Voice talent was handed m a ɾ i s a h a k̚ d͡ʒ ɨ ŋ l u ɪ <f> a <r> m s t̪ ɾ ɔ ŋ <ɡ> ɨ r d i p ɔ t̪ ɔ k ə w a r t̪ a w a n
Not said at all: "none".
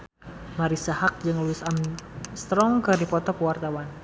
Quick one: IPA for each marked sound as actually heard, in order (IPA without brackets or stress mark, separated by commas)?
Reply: s, none, k